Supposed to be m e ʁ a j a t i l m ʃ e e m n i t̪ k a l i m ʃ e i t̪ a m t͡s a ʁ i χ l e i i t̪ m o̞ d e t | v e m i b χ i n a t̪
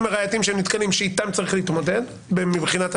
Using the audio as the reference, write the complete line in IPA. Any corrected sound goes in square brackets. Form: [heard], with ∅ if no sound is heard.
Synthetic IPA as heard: m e ʁ a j a t i [∅] m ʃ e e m n i t̪ k a l i m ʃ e i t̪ a m t͡s a ʁ i χ l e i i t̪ m o̞ d e [d] | [b] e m i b χ i n a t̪